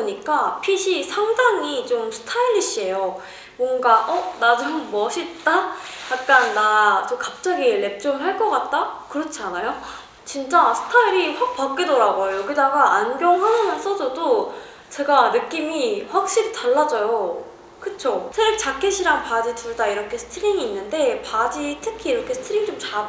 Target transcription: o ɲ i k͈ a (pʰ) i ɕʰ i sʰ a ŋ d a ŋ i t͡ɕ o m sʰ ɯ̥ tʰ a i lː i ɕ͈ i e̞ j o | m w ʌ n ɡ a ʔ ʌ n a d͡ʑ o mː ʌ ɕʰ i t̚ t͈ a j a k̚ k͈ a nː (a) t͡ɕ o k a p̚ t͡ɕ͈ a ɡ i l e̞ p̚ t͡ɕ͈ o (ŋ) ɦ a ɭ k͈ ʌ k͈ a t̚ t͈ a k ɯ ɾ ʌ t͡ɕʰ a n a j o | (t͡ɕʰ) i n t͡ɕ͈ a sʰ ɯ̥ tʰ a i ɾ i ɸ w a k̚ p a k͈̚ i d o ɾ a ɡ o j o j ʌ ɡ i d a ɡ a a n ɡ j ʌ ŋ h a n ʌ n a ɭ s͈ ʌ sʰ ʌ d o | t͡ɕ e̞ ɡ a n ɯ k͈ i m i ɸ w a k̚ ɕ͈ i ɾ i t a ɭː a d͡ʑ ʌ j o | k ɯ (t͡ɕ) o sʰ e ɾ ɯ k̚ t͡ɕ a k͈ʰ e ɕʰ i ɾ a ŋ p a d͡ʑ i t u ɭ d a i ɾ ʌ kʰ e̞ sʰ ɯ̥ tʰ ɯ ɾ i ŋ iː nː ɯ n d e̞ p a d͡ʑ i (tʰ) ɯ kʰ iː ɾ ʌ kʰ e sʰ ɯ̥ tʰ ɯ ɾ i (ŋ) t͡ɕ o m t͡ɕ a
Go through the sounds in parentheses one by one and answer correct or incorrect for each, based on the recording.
correct, correct, incorrect, incorrect, incorrect, correct, correct

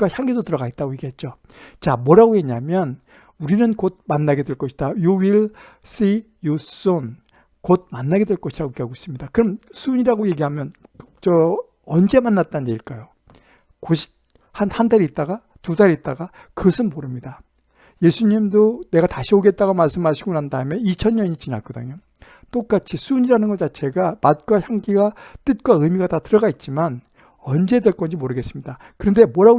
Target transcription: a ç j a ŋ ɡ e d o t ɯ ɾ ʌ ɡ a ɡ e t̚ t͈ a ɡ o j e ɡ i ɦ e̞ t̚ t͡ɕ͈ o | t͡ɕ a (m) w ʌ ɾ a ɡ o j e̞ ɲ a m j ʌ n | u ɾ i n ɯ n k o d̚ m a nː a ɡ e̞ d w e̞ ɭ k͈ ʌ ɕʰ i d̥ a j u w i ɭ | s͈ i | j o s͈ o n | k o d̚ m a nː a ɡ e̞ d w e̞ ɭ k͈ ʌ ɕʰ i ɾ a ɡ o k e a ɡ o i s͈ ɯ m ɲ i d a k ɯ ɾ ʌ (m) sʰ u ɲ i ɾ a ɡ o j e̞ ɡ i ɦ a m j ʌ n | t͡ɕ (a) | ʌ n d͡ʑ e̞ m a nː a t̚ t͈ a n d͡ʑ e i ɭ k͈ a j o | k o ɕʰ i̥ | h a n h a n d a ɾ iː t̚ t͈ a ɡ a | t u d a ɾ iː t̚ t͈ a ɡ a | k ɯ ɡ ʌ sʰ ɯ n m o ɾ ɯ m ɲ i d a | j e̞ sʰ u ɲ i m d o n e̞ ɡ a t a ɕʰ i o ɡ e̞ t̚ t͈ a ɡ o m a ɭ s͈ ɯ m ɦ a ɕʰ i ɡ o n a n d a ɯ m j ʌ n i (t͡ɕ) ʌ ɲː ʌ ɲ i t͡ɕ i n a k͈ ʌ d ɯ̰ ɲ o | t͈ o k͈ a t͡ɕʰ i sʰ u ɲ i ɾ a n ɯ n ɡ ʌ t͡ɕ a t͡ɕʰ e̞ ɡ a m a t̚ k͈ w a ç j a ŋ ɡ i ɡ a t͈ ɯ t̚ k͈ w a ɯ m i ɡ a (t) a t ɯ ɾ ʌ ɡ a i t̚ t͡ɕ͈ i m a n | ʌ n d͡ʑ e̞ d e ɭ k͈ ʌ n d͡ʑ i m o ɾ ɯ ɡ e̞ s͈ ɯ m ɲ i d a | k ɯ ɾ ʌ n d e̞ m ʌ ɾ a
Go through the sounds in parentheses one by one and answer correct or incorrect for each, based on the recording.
correct, correct, incorrect, incorrect, correct

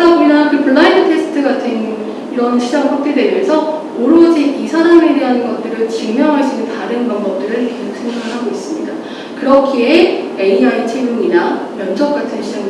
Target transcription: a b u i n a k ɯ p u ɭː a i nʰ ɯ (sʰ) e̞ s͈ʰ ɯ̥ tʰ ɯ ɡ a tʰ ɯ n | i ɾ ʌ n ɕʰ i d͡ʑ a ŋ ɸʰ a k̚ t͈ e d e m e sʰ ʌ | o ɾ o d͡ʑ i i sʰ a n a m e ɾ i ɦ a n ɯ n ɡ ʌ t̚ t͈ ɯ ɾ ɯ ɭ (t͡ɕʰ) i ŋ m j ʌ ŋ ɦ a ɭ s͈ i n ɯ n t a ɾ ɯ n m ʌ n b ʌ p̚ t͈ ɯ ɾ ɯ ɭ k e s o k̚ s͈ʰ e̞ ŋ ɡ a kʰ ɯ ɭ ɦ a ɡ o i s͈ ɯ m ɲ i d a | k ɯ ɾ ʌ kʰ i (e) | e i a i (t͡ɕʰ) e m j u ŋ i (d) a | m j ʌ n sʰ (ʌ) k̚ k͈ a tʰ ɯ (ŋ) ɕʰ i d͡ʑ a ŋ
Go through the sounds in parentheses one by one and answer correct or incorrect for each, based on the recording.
incorrect, incorrect, correct, correct, incorrect, correct, incorrect

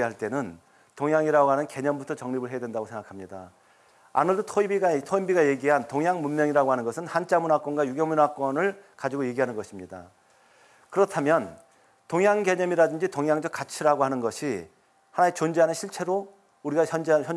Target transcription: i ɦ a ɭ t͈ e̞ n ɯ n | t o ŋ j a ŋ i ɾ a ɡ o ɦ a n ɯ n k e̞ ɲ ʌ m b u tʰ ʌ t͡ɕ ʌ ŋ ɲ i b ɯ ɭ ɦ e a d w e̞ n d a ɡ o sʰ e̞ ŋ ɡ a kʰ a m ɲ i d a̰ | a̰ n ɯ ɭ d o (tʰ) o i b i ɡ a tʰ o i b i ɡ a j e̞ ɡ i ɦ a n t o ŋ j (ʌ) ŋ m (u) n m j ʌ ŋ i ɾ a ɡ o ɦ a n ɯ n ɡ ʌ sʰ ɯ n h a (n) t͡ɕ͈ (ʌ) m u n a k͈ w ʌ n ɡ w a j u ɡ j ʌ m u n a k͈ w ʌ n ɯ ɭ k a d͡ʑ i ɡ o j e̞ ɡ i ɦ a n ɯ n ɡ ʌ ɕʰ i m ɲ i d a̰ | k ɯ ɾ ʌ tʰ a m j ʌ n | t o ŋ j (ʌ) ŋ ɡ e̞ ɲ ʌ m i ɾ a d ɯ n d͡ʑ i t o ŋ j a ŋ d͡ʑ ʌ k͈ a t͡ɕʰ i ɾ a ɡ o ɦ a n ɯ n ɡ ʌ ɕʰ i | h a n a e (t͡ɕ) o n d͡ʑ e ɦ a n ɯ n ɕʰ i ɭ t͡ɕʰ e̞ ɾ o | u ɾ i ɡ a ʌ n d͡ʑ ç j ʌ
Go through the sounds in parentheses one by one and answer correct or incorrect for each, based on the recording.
correct, incorrect, correct, correct, incorrect, incorrect, correct

